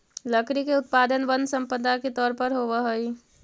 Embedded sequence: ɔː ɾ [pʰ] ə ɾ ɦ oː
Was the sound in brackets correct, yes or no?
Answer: no